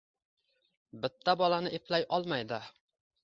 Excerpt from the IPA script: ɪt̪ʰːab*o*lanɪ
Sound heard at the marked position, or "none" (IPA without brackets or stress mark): ɒ